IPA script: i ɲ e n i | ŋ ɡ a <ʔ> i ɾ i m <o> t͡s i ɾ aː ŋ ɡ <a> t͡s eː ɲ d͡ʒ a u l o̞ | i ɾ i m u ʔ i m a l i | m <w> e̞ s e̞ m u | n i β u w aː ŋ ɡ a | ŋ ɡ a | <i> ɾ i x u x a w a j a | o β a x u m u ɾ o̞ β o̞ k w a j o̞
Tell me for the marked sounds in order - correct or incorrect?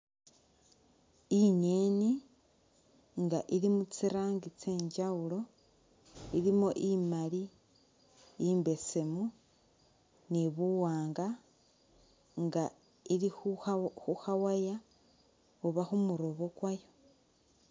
correct, incorrect: u, incorrect: i, incorrect: b, correct

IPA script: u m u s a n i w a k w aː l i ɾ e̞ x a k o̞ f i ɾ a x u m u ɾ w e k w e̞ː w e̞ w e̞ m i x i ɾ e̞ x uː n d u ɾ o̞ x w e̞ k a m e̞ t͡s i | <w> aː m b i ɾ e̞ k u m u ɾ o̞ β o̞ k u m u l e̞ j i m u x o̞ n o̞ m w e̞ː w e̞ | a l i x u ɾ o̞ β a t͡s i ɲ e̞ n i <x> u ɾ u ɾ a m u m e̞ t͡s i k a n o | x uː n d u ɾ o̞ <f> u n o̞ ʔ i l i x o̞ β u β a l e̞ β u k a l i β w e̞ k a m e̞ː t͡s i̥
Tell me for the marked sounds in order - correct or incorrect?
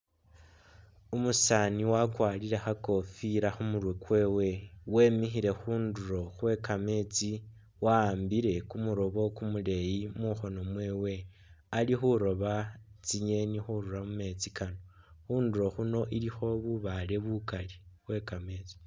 correct, correct, incorrect: x

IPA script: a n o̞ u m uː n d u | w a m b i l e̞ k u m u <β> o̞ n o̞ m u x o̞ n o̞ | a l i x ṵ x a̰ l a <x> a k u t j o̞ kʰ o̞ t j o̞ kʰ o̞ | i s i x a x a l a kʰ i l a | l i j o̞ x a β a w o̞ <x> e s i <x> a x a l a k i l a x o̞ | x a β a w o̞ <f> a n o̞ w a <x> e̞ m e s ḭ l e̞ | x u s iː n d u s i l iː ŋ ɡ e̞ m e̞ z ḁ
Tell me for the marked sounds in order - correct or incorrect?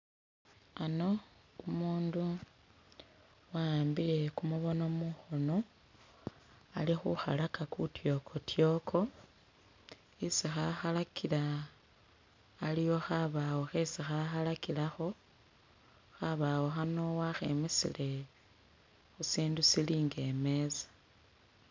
correct, incorrect: k, correct, correct, incorrect: x, correct

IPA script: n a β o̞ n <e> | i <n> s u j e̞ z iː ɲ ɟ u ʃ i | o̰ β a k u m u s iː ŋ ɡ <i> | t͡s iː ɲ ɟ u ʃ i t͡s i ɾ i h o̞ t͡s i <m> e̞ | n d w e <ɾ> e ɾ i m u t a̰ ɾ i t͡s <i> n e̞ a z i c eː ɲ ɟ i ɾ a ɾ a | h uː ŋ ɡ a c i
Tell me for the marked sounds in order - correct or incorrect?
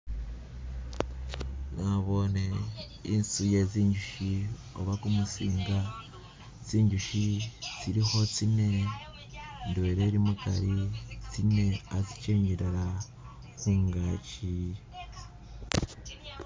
correct, correct, incorrect: a, incorrect: n, correct, correct

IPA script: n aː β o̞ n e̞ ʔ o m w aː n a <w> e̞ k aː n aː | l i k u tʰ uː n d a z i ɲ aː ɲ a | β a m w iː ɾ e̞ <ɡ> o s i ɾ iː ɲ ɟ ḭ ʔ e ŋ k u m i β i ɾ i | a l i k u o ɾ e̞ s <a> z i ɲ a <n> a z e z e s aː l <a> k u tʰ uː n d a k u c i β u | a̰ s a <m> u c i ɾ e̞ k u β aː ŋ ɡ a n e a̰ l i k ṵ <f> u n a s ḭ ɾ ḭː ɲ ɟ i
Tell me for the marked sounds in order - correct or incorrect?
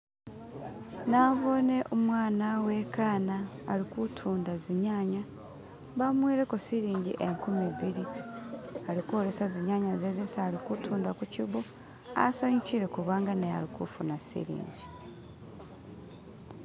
correct, incorrect: k, correct, incorrect: ɲ, incorrect: i, incorrect: ɲ, correct

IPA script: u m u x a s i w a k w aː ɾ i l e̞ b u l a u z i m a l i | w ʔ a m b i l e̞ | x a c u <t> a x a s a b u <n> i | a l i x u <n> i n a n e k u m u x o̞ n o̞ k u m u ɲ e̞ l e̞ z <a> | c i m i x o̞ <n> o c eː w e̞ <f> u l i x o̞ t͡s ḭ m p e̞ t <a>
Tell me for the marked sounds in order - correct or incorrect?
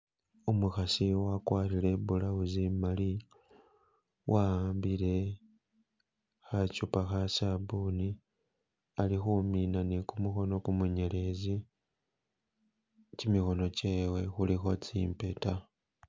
incorrect: p, correct, incorrect: m, incorrect: i, correct, incorrect: x, correct

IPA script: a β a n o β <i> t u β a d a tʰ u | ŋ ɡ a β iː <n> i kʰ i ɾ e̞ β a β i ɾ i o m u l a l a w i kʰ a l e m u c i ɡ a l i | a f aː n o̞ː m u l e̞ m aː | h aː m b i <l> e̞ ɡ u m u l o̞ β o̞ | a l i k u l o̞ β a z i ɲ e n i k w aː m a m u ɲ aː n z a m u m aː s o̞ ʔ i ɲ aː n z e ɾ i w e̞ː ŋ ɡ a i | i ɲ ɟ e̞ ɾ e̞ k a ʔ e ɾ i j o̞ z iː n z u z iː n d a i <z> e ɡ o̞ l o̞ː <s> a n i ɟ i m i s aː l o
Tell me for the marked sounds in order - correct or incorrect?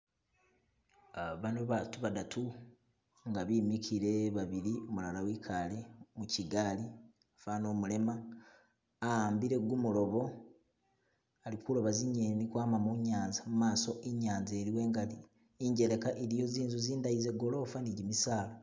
incorrect: a, incorrect: m, incorrect: ɾ, correct, incorrect: f

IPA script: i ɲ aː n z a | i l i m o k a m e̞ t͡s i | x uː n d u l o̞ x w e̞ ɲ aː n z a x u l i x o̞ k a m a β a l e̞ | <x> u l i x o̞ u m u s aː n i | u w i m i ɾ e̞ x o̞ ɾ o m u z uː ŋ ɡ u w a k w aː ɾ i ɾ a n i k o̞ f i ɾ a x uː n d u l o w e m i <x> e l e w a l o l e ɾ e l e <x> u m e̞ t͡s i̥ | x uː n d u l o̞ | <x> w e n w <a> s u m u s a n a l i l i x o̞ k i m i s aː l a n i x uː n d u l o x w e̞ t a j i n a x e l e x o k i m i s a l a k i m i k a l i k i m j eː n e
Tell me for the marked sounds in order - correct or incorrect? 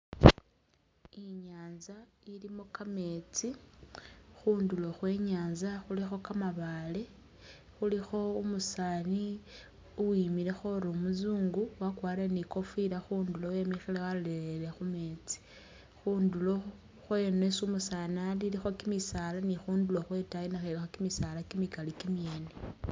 correct, correct, correct, correct, incorrect: e

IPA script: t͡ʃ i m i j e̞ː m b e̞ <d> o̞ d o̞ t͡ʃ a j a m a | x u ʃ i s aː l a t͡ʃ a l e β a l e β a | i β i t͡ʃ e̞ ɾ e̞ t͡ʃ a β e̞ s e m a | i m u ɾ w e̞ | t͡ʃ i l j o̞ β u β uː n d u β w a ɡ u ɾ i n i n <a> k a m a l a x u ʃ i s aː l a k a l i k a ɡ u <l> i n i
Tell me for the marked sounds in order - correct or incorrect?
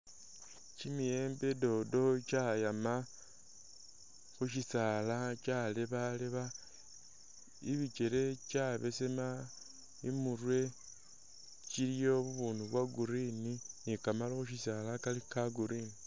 correct, incorrect: i, incorrect: ɾ

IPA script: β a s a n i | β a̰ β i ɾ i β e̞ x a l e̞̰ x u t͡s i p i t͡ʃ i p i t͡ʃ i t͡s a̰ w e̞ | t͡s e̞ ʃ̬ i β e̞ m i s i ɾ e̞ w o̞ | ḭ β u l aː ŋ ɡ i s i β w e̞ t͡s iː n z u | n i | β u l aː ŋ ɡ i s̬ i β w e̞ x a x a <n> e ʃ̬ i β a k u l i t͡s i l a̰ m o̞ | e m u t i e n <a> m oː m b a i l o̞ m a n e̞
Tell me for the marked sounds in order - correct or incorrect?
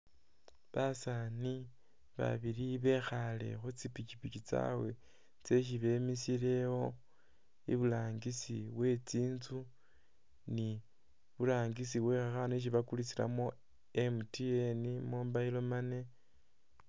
correct, incorrect: i

